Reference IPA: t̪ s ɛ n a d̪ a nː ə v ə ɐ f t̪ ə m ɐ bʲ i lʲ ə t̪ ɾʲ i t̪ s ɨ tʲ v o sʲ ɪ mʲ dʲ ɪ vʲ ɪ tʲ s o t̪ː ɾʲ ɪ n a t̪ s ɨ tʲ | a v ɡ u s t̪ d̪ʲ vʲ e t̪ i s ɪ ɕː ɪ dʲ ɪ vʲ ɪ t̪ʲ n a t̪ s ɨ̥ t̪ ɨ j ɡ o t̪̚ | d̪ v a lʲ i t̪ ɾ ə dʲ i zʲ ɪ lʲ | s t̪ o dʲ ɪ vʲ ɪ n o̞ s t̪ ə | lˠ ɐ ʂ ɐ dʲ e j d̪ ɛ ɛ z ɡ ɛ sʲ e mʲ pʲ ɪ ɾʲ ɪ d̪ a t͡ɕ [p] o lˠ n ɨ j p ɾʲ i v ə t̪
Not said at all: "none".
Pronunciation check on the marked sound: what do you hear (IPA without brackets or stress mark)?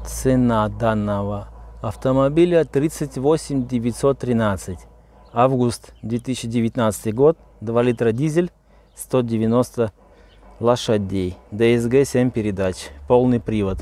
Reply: p